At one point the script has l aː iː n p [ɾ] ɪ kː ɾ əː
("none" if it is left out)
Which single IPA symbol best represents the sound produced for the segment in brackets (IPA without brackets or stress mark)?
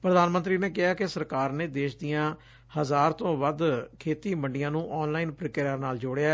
ɾ